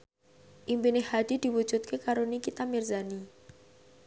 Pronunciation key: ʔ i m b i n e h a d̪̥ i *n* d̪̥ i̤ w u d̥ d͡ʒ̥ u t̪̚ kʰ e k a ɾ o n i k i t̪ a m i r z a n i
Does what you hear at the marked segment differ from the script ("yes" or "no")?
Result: yes